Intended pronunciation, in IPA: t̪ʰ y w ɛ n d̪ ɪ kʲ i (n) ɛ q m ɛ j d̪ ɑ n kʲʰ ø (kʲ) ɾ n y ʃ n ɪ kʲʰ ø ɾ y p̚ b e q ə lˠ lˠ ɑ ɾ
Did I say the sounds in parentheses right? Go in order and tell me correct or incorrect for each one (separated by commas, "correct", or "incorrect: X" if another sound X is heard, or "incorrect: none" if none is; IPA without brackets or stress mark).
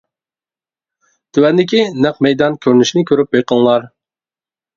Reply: correct, incorrect: none